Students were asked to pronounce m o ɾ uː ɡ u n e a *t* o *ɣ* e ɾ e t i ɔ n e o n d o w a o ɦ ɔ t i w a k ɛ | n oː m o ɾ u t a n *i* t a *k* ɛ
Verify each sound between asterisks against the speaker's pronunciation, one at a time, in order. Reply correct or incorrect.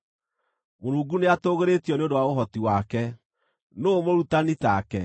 correct, correct, correct, correct

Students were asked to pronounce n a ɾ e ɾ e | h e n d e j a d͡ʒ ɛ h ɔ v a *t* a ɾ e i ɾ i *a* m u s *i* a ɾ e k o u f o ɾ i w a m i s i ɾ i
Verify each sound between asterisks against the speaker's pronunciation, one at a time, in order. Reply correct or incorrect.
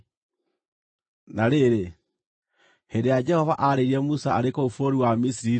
incorrect: ʔ, incorrect: ɛ, incorrect: a

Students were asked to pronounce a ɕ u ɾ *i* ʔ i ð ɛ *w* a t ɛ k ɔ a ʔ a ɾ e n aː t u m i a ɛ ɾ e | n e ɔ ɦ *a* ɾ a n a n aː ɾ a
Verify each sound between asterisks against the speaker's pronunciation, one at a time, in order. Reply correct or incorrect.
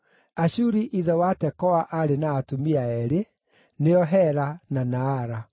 correct, correct, incorrect: ɛ

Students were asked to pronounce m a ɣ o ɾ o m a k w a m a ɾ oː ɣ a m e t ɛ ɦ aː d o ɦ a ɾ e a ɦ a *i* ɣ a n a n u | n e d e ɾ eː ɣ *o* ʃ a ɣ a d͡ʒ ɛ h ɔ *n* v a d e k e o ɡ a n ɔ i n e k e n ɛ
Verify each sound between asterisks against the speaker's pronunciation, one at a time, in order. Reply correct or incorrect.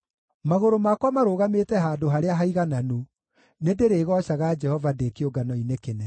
correct, incorrect: ɔ, incorrect: none

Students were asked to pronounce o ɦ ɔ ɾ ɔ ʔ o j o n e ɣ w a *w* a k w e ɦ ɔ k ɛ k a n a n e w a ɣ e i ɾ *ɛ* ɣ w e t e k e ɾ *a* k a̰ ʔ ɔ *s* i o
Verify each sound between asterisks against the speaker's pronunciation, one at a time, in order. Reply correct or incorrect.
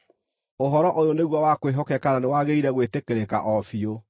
correct, correct, incorrect: e, incorrect: f

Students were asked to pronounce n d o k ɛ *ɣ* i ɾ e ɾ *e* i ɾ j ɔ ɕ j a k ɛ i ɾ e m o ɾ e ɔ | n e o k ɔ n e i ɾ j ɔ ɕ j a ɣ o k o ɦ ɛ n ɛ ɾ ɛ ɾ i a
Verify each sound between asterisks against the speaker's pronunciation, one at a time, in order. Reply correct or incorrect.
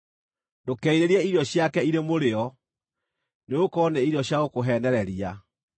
incorrect: none, incorrect: ɛ

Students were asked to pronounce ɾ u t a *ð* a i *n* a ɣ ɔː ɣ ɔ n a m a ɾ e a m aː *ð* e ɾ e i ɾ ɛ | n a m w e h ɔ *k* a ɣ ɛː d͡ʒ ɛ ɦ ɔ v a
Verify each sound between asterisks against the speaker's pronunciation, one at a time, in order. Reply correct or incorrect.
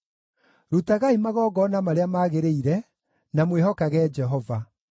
incorrect: ɣ, incorrect: m, incorrect: ɣ, correct

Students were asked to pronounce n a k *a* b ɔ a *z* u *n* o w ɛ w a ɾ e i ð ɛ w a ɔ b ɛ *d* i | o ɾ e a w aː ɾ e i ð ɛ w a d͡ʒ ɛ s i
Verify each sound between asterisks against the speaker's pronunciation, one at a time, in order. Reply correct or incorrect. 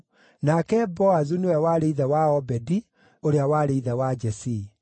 incorrect: ɛ, correct, correct, correct

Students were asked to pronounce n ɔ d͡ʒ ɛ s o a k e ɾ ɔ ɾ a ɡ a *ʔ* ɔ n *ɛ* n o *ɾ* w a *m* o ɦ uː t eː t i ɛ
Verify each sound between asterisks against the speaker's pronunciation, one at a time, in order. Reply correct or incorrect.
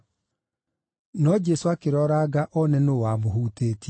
correct, correct, incorrect: none, correct

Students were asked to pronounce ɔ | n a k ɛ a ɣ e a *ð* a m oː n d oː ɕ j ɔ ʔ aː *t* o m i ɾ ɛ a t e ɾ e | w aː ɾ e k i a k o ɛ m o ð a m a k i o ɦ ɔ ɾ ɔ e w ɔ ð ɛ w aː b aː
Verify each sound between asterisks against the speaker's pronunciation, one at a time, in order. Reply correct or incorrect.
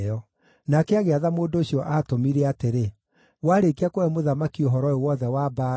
correct, correct

